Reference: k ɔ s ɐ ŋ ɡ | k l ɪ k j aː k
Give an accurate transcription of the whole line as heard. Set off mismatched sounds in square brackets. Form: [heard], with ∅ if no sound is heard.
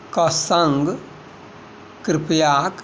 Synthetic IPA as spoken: k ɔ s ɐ ŋ ɡ | k [ɾ] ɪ [p] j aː k

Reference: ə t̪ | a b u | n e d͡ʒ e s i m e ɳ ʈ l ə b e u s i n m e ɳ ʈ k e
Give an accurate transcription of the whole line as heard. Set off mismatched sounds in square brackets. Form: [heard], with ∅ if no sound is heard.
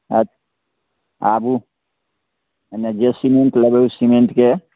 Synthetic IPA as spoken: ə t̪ | a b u | n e d͡ʒ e s i m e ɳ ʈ l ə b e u s i [∅] m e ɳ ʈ k e

